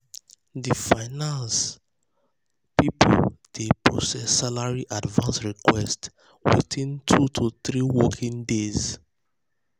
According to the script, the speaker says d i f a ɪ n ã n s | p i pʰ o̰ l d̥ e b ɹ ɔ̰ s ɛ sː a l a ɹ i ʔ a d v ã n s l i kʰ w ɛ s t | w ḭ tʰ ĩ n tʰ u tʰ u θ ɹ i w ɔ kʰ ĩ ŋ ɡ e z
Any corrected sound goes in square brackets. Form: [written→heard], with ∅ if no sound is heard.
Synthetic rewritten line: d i f a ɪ n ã n s | p i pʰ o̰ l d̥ e [b→p] ɹ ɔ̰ s ɛ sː a l a ɹ i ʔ a d v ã n s [l→ɹ] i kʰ w ɛ s t | w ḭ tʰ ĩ n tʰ u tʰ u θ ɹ i w ɔ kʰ ĩ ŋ [ɡ→d] e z